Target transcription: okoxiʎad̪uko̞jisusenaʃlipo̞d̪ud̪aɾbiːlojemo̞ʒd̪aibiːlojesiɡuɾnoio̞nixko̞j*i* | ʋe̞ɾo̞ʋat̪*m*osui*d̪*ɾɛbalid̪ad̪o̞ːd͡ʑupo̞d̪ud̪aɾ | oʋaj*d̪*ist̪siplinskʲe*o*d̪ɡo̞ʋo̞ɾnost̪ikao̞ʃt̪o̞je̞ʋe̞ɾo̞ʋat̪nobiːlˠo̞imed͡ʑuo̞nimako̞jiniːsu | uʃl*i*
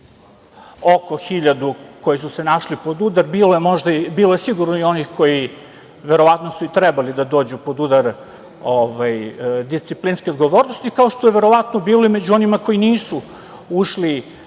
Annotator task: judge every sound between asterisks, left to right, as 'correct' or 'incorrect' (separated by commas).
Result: correct, incorrect, incorrect, correct, correct, correct